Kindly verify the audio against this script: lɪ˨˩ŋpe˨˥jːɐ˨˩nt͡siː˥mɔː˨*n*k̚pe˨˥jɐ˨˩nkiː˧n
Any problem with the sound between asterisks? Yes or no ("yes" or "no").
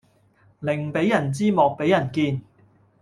yes